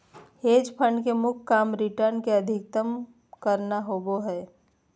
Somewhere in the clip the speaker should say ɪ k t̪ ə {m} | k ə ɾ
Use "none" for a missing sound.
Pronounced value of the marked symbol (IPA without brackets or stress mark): m